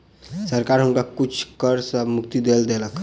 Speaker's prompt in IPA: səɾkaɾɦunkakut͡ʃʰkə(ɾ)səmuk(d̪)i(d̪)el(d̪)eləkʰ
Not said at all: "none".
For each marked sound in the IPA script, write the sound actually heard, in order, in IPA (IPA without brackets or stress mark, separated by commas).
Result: ɾ, t̪, d̪, d̪